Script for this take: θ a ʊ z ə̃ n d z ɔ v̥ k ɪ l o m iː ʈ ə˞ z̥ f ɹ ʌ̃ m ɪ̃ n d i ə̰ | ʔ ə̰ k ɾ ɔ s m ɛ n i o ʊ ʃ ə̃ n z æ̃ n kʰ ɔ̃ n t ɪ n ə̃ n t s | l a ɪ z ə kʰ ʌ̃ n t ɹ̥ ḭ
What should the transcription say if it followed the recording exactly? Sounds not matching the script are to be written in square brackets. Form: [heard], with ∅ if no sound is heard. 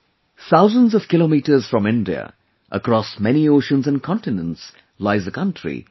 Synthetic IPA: θ a ʊ z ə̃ n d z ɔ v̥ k ɪ l o m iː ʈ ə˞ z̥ f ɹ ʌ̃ m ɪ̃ n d i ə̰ | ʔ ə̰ k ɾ ɔ s m ɛ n i o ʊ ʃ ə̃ n z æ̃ n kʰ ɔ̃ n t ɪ n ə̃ n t s | l a ɪ z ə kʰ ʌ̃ n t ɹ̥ ḭ